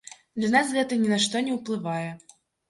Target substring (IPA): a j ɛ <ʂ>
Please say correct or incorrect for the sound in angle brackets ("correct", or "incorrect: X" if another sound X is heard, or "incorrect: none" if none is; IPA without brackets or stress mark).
incorrect: none